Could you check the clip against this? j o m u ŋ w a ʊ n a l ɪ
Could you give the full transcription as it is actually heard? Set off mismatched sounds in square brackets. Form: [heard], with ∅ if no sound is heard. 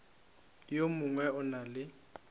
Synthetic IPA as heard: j o m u ŋ w [ɛ] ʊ n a l ɪ